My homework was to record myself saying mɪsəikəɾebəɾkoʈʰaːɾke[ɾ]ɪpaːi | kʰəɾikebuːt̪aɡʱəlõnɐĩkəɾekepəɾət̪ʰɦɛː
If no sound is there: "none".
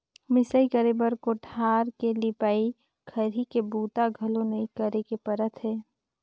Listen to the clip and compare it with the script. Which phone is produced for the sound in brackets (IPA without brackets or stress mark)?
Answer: l